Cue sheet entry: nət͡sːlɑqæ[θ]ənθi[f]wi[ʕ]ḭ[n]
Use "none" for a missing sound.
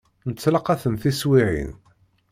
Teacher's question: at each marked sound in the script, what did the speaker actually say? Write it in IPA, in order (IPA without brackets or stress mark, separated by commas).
θ, s, ʕ, n